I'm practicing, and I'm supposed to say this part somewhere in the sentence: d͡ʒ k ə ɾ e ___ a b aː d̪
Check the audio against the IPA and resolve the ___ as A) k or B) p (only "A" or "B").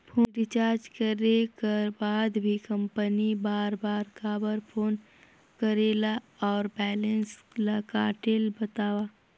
A